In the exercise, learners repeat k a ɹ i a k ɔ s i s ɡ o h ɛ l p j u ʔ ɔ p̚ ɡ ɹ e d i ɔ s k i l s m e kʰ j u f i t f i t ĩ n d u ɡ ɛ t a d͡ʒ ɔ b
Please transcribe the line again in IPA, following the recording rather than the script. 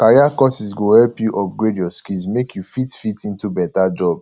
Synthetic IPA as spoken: k a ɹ i a k ɔ s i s ɡ o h ɛ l p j u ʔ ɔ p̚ ɡ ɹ e d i ɔ s k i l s m e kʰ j u f i t f i t ĩ n t u b ɛ t a d͡ʒ ɔ b